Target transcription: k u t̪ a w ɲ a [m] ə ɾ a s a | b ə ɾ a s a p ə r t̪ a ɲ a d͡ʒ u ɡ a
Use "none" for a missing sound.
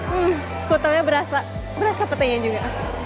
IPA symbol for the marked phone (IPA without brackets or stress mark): b